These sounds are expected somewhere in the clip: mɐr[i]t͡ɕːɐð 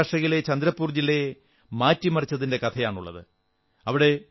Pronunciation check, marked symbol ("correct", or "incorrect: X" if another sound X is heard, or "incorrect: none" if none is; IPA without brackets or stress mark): correct